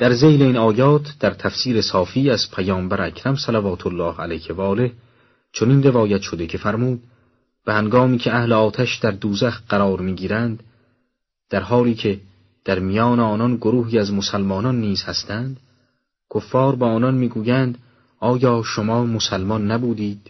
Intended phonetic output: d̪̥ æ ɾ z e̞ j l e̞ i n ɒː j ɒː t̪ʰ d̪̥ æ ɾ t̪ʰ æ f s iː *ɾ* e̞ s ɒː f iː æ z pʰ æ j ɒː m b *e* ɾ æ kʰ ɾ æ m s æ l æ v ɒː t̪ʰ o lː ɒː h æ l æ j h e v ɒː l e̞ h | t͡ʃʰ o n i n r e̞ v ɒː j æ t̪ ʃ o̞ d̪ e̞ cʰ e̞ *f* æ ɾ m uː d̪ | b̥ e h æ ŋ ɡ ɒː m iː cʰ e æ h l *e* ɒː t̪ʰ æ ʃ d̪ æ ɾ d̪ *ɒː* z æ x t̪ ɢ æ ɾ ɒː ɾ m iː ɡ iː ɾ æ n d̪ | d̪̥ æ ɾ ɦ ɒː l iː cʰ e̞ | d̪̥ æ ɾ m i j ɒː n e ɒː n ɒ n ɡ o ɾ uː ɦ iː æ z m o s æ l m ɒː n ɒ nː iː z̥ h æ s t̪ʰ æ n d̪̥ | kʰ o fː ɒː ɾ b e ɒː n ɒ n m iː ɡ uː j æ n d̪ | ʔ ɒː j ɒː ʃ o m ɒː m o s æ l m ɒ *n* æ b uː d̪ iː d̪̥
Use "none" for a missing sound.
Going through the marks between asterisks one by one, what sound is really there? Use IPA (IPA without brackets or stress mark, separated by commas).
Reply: ɾ, æ, f, e, uː, nː